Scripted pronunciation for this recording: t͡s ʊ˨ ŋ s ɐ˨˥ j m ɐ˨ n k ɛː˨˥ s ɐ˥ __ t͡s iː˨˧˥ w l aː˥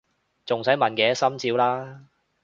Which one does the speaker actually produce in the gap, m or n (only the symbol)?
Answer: m